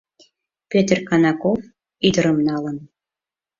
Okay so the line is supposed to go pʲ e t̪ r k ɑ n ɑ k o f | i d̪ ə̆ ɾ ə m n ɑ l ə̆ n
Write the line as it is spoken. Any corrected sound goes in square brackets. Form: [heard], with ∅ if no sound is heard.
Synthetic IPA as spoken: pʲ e t̪ r k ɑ n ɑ k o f | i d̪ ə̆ ɾ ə m n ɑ l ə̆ n